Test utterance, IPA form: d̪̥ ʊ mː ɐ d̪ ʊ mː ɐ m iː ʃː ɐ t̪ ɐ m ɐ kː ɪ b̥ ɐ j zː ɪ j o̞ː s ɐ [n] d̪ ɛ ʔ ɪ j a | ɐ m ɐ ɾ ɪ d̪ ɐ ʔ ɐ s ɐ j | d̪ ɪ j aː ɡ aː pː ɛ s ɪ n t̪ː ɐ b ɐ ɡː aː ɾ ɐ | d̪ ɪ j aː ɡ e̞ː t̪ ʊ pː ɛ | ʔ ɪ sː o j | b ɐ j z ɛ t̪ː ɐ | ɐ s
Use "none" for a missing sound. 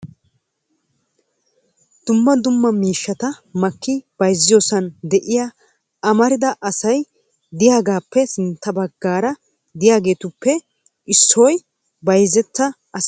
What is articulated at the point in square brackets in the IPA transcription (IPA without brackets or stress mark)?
n